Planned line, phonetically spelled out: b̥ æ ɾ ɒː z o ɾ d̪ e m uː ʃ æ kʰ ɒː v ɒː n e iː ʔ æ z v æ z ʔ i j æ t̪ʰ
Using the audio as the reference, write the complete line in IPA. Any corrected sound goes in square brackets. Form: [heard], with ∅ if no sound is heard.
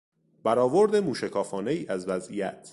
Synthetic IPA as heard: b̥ æ ɾ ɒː [v] o ɾ d̪ e m uː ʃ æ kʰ ɒː [f] ɒː n e iː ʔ æ z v æ z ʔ i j æ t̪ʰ